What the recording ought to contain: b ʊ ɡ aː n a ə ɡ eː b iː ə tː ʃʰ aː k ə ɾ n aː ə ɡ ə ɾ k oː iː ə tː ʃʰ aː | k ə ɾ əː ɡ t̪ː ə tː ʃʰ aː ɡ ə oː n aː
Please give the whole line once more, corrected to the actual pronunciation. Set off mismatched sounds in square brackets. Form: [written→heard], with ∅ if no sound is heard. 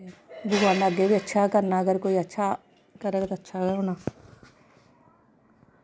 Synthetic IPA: b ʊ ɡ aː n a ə ɡ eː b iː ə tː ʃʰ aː k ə ɾ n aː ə ɡ ə ɾ k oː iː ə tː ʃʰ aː | k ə ɾ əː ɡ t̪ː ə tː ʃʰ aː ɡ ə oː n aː